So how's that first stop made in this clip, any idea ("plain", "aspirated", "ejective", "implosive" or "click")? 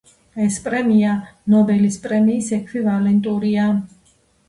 ejective